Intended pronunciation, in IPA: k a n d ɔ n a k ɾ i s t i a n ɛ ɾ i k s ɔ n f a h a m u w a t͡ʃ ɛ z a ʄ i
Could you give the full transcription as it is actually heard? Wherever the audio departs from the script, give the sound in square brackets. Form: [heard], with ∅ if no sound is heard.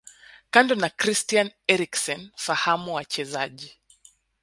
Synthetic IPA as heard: k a n d ɔ n a k ɾ i s t i a n ɛ ɾ i k s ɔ n f a h a m u w a t͡ʃ ɛ z a ʄ i